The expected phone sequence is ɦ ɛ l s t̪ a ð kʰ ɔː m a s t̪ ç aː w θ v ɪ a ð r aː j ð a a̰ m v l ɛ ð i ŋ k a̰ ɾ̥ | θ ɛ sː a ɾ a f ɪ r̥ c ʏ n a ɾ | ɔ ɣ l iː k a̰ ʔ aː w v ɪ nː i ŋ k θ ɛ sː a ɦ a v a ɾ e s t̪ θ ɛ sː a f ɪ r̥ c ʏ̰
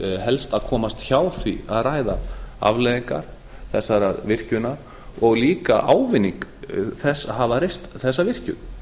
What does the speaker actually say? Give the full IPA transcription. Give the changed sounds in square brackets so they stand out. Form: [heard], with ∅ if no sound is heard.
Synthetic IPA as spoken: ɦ ɛ l s t̪ a ð kʰ ɔː m a s t̪ ç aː w θ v [i] a ð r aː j ð a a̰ [∅] v l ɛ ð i ŋ k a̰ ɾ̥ | θ ɛ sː a ɾ a [v] ɪ r̥ c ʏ n a ɾ | ɔ ɣ l iː k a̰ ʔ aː w v ɪ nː i ŋ k θ ɛ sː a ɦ a v a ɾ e s t̪ θ ɛ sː a [v] ɪ r̥ c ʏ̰